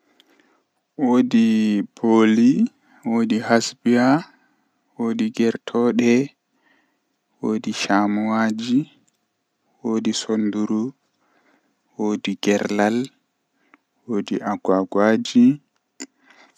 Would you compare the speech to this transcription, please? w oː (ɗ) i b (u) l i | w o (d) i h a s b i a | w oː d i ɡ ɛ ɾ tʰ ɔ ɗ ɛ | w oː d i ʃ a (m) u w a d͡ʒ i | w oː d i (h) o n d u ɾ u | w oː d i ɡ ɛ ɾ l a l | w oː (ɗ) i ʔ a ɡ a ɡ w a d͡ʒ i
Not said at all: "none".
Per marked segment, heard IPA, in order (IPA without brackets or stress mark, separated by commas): d, o, d, m, s, d